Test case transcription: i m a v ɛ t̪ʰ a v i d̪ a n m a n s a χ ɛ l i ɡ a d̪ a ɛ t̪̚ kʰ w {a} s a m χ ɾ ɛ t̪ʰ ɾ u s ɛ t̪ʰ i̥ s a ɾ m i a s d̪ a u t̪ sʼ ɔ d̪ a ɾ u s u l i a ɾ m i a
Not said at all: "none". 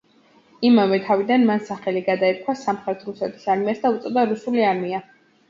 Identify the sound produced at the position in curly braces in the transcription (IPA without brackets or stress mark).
a